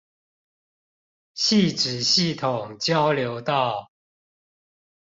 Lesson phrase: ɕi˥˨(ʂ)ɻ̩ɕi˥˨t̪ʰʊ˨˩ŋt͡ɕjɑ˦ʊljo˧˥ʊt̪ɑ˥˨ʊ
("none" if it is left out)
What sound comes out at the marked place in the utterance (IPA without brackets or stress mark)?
ʈ͡ʂ